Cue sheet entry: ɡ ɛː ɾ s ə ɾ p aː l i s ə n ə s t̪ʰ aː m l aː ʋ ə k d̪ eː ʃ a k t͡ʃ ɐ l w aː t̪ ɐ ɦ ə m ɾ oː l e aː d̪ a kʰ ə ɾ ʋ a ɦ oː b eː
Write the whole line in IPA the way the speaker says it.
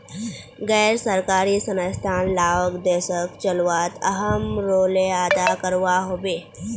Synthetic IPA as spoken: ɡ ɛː ɾ s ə ɾ k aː ɾ i s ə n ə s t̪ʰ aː n l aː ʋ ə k d̪ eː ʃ ə k t͡ʃ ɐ l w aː t̪ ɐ ɦ ə m ɾ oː l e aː d̪ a k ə ɾ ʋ a ɦ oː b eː